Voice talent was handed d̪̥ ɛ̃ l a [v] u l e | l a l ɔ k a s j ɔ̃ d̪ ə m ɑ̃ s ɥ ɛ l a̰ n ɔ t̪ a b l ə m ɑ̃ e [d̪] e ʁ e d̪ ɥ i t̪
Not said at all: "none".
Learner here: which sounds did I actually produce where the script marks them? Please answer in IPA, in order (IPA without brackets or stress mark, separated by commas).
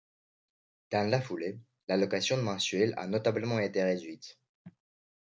f, t̪